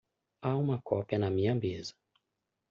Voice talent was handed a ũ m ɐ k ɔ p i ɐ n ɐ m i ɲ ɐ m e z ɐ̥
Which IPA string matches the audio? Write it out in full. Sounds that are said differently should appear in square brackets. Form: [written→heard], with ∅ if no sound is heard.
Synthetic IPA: a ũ m ɐ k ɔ p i ɐ n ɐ m [i→ĩ] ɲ ɐ m e z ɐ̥